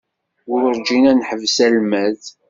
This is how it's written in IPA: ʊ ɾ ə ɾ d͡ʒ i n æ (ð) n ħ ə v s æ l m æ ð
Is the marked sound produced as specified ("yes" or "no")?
no